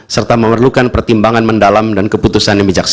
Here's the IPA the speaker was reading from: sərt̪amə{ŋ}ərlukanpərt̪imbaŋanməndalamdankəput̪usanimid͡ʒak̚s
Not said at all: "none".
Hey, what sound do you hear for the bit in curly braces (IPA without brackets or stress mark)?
m